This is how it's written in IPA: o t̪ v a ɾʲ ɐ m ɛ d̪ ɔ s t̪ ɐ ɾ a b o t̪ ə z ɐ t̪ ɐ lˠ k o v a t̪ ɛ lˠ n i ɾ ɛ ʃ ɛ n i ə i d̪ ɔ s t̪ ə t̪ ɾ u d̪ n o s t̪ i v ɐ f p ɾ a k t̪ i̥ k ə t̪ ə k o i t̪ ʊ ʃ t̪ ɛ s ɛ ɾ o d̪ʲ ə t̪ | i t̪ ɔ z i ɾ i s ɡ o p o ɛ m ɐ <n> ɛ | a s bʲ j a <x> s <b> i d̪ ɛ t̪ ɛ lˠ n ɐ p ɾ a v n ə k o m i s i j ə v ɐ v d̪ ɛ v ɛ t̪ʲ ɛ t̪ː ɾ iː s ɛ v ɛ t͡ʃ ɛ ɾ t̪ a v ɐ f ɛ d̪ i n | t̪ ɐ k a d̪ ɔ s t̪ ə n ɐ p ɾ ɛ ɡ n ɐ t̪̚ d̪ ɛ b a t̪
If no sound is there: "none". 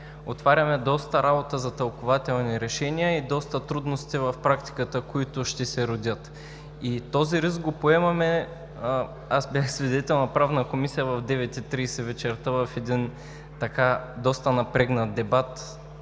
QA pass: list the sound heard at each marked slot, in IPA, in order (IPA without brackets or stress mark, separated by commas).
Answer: m, x, v